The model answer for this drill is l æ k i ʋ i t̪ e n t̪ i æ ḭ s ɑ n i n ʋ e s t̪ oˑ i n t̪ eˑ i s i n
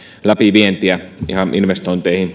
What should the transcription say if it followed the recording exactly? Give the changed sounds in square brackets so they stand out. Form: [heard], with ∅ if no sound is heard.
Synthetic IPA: l æ [p] i ʋ i [∅] e n t̪ i æ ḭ [h] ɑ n i n ʋ e s t̪ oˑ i n t̪ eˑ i [h] i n